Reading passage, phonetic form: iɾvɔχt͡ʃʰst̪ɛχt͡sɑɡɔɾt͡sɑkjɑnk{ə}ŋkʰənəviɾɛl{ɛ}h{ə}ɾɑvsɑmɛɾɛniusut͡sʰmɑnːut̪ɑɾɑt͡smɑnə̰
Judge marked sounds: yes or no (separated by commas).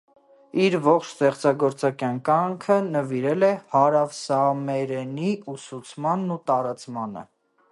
no, yes, no